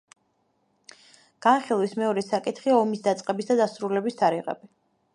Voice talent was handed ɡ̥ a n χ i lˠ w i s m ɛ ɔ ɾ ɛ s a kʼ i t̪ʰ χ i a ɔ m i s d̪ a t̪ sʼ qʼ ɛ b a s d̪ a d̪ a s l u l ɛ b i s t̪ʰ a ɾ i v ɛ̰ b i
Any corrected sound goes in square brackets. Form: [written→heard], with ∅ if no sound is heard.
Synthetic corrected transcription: ɡ̥ a n χ i lˠ w i s m ɛ ɔ ɾ ɛ s a kʼ i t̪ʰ χ i a ɔ m i s d̪ a t̪ sʼ qʼ ɛ b [a→i] s d̪ a d̪ a s [l→ɾ] u l ɛ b i s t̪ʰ a ɾ i [v→ʁ] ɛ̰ b i